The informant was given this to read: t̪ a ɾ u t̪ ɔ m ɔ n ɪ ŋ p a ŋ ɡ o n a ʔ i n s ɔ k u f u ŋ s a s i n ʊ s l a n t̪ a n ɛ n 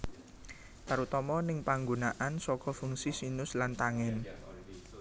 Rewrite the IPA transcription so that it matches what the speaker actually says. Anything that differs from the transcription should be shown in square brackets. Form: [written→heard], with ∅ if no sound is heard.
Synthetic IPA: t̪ a ɾ u t̪ ɔ m ɔ n ɪ ŋ p a ŋ ɡ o n a ʔ [i→a] n s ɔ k [u→ɔ] f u ŋ s [a→i] s i n ʊ s l a n t̪ a [n→ŋ] ɛ n